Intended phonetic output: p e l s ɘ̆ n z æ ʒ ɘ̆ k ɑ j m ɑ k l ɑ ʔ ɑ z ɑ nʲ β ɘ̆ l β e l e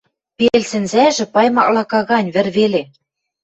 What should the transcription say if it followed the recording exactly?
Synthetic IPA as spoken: p e l s ɘ̆ n z æ ʒ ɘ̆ p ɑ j m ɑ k l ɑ k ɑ ɣ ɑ nʲ β ɘ̆ r β e l e